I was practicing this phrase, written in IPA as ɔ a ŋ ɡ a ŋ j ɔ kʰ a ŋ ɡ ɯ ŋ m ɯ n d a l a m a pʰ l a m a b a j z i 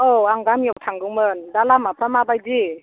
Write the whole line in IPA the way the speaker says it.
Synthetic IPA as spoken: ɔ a ŋ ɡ a m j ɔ tʰ a ŋ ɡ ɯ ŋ m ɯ n d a l a m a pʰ ɾ a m a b a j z i